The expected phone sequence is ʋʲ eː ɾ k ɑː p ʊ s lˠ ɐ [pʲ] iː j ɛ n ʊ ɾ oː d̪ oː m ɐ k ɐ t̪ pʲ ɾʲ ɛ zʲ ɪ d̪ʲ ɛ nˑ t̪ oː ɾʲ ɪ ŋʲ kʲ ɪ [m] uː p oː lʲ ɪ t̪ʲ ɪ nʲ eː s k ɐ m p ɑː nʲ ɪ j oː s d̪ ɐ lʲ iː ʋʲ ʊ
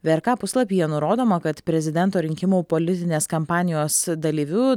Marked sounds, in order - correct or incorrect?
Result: correct, correct

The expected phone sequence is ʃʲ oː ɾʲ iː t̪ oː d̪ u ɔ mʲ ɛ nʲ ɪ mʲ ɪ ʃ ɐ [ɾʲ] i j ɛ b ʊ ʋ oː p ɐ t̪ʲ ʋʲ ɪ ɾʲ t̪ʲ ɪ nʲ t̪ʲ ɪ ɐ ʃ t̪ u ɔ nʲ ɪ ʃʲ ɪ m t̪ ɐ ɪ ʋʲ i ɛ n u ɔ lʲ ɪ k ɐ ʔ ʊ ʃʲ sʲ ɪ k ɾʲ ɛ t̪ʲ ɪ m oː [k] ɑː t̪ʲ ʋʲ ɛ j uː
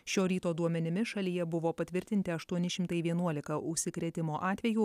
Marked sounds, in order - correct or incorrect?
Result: incorrect: lʲ, incorrect: ʔ

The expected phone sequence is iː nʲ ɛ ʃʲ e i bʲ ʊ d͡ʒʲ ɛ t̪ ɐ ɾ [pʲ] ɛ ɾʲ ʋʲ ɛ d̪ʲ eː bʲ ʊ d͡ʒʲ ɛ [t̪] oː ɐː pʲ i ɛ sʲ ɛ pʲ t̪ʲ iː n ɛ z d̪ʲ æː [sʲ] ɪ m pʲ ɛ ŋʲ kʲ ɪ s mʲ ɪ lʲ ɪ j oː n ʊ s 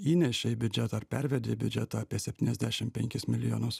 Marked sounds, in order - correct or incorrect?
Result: correct, correct, incorrect: ʃʲ

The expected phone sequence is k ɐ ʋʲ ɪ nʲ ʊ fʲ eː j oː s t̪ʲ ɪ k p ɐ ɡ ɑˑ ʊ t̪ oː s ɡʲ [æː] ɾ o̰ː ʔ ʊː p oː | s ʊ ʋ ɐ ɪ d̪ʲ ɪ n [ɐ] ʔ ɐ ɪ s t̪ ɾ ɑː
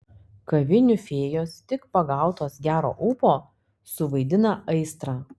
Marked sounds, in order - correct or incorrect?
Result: correct, correct

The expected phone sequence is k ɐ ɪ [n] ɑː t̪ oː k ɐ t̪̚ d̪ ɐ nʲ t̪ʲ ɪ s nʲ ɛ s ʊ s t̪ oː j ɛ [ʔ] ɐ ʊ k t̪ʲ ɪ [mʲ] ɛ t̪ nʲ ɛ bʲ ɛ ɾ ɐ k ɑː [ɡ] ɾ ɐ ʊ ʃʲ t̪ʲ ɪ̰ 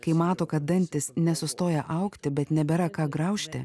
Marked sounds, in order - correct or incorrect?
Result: incorrect: m, correct, incorrect: bʲ, correct

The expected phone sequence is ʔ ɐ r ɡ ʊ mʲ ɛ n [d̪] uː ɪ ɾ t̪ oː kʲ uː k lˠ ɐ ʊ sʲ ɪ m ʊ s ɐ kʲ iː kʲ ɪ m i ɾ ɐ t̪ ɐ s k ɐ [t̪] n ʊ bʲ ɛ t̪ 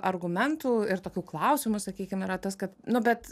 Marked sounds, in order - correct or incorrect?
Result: incorrect: t̪, correct

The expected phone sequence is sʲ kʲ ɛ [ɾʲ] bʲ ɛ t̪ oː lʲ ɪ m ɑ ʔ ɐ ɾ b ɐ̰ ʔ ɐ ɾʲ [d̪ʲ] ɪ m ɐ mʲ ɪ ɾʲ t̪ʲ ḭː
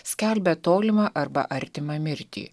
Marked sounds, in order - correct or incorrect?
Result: incorrect: lʲ, incorrect: t̪ʲ

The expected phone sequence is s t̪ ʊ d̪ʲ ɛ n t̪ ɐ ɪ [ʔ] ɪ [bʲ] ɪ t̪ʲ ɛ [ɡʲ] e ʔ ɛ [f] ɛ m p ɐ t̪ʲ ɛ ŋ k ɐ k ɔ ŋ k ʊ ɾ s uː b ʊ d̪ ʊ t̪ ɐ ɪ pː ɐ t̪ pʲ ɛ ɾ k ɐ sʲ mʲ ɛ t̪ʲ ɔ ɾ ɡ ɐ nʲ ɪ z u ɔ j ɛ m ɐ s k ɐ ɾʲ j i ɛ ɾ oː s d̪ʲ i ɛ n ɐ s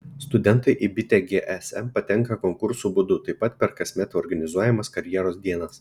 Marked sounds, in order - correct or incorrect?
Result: correct, correct, correct, incorrect: s

